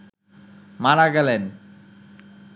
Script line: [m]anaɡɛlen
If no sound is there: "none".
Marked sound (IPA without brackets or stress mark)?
m